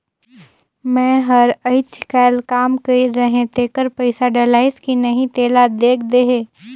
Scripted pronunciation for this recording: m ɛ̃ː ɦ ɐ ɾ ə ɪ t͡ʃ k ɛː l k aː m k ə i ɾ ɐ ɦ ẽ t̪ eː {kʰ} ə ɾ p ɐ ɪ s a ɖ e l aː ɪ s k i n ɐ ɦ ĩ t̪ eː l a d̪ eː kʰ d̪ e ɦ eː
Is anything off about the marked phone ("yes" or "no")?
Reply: yes